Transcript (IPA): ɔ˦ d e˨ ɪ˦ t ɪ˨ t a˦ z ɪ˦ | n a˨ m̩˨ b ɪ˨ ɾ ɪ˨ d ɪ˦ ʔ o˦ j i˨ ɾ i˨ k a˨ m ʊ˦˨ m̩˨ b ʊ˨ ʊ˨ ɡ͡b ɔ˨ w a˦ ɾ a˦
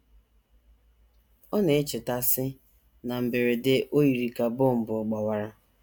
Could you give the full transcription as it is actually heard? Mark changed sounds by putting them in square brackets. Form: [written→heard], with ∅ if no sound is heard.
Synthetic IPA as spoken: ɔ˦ [d→n] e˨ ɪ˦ [t→t͡ʃ] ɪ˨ t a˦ [z→s] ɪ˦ | n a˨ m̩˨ b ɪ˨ ɾ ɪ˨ d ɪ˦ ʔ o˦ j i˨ ɾ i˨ k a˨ [m→b] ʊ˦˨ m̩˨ b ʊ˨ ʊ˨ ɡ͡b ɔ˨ w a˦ ɾ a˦